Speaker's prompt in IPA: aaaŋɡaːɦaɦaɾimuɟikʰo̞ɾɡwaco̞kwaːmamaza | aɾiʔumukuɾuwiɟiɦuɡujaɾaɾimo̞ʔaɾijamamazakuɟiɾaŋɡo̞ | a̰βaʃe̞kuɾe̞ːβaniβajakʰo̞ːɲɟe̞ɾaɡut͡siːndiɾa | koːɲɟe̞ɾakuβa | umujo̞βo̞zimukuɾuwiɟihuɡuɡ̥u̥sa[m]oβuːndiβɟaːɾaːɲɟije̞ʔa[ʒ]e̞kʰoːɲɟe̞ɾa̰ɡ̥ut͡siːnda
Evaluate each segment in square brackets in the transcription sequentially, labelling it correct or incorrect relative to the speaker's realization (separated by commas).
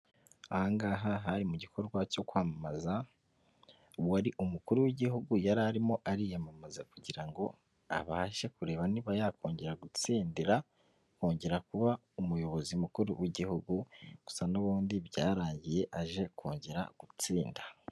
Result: incorrect, correct